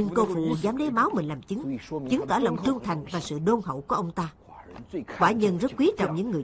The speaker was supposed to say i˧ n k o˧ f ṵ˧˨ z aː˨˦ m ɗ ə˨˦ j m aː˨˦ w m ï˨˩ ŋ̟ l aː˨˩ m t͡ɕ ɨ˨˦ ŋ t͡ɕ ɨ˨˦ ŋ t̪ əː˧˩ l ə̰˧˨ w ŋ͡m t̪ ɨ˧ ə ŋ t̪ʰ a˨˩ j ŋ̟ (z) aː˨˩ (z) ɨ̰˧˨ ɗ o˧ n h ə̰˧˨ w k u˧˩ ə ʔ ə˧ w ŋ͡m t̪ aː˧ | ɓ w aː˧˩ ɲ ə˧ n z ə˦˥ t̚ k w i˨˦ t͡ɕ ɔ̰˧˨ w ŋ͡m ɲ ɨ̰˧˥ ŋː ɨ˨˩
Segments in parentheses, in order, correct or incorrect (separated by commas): incorrect, incorrect